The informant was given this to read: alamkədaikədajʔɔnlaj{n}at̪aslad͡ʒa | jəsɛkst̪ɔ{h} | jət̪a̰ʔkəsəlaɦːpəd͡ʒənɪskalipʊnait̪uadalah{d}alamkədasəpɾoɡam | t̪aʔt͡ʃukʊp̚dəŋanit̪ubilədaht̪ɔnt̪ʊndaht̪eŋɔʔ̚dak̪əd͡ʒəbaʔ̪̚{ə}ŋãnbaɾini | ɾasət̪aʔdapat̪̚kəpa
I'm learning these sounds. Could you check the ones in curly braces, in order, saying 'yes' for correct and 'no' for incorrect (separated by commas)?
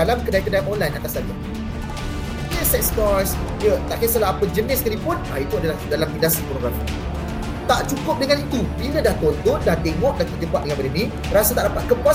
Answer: yes, no, yes, yes